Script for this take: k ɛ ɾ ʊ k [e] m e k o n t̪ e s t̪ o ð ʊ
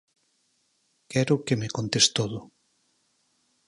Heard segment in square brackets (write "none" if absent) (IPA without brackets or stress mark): e